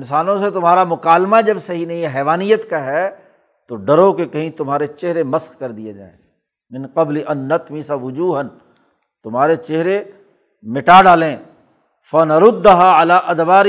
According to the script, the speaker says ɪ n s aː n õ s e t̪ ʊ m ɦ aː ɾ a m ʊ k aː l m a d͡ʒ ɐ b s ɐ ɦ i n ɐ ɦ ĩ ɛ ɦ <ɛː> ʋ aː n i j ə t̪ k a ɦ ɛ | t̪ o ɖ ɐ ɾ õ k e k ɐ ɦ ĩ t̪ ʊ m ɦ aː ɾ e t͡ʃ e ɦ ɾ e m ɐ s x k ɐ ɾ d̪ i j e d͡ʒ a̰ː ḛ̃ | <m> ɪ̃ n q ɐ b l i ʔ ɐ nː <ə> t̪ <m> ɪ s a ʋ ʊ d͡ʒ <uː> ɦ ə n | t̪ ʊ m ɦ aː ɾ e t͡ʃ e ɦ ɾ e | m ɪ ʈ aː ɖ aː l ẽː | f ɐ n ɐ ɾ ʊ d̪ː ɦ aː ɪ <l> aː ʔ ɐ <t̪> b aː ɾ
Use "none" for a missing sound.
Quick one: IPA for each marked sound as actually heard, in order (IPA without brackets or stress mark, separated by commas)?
ɛː, m, ɐ, m, uː, l, d̪